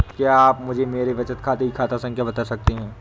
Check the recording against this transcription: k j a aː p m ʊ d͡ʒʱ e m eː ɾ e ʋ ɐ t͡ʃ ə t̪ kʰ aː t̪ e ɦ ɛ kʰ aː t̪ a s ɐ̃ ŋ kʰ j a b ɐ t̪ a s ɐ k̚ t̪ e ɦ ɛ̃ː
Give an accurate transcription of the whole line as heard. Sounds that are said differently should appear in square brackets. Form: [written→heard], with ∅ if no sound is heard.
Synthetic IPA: k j a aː p m ʊ d͡ʒʱ e m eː ɾ e ʋ ɐ t͡ʃ ə t̪ kʰ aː t̪ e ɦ [ɛ→i] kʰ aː t̪ a s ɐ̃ ŋ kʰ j a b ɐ t̪ a s ɐ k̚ t̪ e ɦ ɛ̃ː